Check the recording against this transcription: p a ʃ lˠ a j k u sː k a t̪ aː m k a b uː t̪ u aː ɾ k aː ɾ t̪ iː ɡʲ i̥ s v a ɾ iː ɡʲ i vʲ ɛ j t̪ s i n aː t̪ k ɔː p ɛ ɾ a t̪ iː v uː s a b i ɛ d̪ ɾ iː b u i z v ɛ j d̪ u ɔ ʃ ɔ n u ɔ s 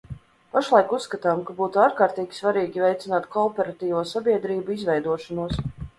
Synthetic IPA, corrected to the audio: p a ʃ lˠ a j k u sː k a t̪ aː m k a b uː t̪ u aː ɾ k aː ɾ t̪ iː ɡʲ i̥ s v a ɾ iː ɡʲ i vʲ ɛ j t̪ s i n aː t̪ k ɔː p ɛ ɾ a t̪ iː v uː s a b i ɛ d̪ ɾ iː b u i z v ɛ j d̪ u ɔ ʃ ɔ n u ɔ s